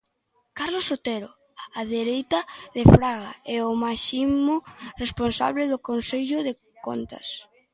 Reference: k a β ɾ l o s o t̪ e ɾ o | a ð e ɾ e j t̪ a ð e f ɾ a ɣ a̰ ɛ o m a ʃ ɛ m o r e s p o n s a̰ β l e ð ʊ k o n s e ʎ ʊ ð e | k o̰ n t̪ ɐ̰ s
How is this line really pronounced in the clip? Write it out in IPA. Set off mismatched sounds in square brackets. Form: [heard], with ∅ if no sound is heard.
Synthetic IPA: k a [∅] ɾ l o s o t̪ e ɾ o | a ð e ɾ e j t̪ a ð e f ɾ a ɣ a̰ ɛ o m a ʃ [i] m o r e s p o n s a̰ β l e ð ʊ k o n s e ʎ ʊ ð e | k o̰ n t̪ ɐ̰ s